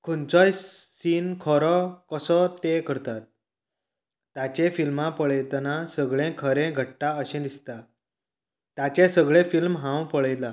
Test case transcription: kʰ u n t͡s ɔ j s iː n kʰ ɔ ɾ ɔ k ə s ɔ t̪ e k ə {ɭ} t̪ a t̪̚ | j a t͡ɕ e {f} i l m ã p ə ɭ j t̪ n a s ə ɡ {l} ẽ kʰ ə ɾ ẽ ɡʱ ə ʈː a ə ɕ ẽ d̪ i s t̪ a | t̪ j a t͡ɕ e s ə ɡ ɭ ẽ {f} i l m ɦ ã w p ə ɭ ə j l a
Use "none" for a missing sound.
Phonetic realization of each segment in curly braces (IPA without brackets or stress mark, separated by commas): ɾ, f, ɭ, f